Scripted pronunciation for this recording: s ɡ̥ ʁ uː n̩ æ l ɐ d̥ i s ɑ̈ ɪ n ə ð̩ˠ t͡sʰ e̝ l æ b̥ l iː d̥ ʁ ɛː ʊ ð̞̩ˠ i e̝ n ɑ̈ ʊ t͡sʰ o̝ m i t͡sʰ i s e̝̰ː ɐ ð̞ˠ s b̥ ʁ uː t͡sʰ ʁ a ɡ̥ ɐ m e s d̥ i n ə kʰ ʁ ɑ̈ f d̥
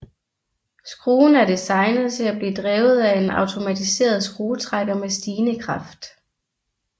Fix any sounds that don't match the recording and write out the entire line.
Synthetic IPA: s ɡ̥ ʁ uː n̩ æ ɐ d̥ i s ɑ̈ ɪ n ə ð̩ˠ t͡sʰ e̝ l æ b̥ l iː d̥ ʁ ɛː ʊ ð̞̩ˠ æ e̝ n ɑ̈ ʊ t͡sʰ o̝ m æ t͡sʰ i s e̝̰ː ɐ ð̞ˠ s ɡ̥ ʁ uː t͡sʰ ʁ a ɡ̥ ɐ m e s d̥ iː n ə kʰ ʁ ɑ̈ f d̥